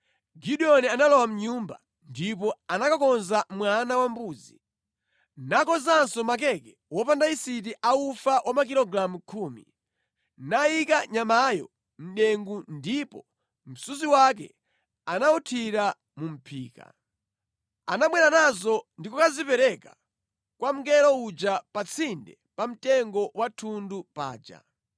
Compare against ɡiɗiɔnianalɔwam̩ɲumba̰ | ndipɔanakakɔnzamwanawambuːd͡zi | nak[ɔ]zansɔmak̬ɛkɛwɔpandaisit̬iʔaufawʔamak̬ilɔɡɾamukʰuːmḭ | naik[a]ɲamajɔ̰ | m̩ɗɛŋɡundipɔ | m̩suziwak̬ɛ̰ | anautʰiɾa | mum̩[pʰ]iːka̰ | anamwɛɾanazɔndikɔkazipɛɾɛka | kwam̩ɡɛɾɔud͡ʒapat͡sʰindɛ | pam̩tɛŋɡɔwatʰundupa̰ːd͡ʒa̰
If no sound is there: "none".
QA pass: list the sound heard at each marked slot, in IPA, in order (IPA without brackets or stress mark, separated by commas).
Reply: ɔ, a, pʰ